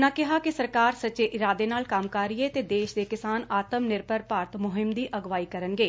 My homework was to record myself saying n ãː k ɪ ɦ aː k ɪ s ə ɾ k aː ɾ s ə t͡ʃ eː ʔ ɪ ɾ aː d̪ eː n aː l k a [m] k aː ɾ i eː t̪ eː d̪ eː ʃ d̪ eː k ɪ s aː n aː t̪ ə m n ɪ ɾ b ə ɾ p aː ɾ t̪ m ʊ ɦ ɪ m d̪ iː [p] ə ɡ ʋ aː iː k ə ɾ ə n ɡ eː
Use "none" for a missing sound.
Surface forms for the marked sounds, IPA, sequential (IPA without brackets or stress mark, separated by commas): m, ʔ